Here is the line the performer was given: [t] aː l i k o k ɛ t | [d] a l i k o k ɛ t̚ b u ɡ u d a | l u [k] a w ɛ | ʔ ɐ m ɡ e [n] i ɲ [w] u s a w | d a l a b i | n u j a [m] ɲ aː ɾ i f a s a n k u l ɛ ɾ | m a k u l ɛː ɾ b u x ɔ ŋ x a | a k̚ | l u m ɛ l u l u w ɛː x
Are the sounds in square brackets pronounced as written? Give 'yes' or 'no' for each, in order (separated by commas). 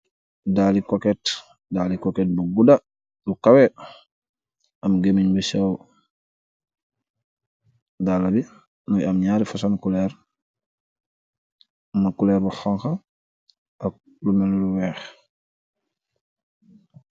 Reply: no, yes, yes, no, no, yes